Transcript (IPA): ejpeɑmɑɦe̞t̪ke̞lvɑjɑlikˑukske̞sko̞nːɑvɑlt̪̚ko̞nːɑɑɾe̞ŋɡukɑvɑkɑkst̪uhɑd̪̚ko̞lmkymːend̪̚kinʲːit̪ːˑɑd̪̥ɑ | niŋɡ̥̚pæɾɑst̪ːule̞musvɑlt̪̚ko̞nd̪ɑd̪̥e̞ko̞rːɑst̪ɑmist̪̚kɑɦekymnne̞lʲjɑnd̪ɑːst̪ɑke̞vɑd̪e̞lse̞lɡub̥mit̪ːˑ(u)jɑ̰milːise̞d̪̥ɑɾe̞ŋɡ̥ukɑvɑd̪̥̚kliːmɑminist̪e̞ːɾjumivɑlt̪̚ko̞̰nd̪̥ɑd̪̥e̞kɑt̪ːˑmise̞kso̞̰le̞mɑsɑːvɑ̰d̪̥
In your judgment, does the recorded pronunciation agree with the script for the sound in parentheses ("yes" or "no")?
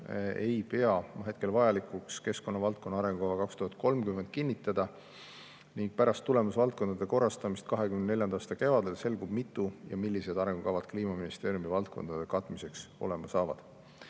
yes